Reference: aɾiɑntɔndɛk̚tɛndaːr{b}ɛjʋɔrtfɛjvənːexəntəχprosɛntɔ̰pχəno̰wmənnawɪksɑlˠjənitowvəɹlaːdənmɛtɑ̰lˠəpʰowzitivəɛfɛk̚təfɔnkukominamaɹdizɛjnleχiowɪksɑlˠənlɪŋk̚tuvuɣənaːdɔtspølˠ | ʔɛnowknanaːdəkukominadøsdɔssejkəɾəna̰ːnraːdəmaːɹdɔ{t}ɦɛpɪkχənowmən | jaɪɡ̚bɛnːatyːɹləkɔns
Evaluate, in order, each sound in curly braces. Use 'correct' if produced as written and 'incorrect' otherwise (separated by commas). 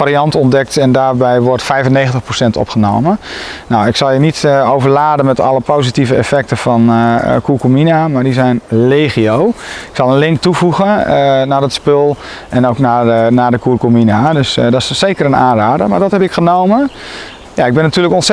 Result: correct, correct